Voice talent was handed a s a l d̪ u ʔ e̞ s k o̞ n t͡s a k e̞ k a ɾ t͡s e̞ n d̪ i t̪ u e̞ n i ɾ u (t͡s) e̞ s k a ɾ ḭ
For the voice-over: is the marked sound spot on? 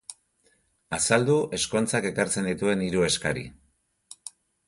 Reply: no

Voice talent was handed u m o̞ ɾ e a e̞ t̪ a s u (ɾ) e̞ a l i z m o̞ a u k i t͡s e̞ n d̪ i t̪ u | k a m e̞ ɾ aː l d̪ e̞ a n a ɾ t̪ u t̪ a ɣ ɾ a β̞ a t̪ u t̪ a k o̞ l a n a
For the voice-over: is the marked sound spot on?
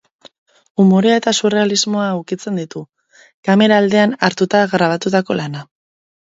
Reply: no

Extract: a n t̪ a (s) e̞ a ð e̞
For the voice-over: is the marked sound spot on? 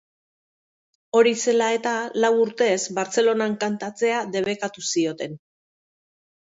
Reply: no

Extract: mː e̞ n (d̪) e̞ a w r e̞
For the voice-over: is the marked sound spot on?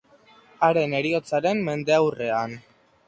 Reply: yes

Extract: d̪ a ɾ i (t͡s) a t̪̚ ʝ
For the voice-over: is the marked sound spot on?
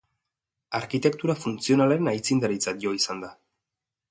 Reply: yes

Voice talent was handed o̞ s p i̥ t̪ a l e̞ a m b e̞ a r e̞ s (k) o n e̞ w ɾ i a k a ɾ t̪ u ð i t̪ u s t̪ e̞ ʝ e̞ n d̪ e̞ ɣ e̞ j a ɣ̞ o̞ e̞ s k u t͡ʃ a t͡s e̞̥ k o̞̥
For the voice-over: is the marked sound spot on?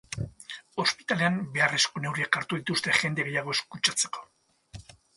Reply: yes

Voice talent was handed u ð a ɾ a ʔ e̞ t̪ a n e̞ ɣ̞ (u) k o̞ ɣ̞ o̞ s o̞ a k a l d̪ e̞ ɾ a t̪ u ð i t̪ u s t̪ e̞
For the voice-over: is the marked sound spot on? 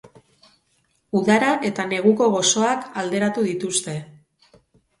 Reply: yes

